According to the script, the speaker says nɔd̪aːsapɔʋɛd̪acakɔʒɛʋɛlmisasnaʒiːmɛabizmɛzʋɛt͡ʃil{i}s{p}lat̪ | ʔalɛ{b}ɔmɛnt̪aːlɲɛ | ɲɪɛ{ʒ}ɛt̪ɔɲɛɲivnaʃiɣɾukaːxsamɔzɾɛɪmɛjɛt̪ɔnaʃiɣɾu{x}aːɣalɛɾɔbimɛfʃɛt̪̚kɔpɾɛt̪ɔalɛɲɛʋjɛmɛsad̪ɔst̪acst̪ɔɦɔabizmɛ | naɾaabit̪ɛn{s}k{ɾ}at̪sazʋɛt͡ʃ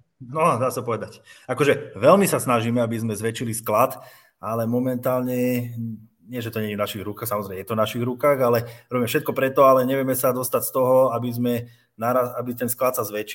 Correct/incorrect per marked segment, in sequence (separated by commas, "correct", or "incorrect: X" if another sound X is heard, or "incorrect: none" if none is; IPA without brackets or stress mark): correct, incorrect: k, incorrect: m, correct, incorrect: k, correct, incorrect: l